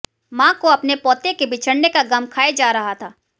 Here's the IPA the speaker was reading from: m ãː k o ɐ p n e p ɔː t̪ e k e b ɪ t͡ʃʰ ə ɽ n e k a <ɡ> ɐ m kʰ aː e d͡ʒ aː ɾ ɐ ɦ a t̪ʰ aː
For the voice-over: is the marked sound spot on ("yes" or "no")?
yes